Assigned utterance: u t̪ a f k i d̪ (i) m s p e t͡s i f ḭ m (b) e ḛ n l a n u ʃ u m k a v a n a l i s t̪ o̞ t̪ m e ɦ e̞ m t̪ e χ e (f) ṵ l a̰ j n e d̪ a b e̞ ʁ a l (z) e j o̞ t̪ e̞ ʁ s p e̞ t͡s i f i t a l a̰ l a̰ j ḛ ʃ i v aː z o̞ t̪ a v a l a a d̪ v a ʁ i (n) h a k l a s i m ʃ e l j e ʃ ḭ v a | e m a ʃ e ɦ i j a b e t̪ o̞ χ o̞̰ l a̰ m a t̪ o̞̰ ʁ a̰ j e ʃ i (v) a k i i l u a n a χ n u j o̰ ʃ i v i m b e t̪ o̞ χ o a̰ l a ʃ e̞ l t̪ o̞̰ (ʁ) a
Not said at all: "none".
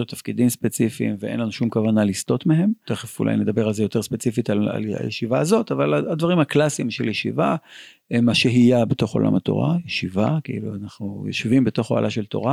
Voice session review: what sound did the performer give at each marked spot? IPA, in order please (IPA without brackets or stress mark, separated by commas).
i, v, f, z, m, v, ʁ